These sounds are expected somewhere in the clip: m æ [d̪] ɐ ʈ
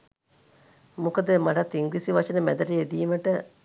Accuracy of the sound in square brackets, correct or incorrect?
correct